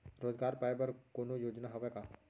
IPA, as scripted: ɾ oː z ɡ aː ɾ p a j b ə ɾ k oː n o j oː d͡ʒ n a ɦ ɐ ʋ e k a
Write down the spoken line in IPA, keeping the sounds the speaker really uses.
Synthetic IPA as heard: ɾ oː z ɡ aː ɾ p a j b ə ɾ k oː n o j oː d͡ʒ n a ɦ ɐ ʋ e k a